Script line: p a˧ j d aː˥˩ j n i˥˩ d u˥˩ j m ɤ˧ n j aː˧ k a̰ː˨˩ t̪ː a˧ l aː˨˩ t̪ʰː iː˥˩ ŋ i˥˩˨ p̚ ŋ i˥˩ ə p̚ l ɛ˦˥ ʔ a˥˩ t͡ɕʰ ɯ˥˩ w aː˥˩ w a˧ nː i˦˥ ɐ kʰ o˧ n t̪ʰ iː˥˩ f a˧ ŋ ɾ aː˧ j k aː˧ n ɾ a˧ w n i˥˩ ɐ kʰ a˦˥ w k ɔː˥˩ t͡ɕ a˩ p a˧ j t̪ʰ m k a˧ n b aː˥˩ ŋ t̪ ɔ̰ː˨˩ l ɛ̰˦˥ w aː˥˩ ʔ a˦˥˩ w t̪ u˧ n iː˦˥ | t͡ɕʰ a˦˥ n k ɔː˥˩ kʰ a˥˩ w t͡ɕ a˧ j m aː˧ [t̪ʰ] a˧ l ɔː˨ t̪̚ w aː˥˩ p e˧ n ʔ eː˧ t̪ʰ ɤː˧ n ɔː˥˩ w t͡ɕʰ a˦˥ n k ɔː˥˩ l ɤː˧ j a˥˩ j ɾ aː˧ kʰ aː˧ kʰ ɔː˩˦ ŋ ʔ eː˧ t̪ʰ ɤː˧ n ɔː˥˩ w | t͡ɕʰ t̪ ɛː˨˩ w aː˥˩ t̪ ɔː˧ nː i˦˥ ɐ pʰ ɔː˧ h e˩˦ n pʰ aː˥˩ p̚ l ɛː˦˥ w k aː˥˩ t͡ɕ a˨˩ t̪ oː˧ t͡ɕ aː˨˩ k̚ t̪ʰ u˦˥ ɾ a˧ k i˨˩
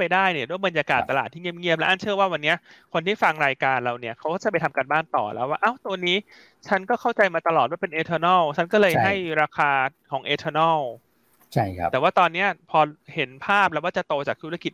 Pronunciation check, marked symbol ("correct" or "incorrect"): incorrect